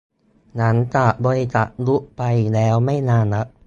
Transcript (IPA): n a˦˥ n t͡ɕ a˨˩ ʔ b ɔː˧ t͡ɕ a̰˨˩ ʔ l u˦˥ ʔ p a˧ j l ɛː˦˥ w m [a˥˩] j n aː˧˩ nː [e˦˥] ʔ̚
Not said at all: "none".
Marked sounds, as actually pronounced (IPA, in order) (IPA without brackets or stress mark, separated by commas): a˥˩, a˦˥